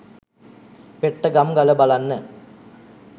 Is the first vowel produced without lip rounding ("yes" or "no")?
yes